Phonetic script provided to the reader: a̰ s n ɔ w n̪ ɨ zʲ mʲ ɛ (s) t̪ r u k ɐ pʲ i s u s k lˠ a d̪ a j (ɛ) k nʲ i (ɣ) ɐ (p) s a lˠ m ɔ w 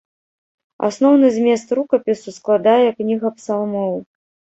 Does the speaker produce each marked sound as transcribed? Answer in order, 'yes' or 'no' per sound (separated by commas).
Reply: yes, yes, yes, yes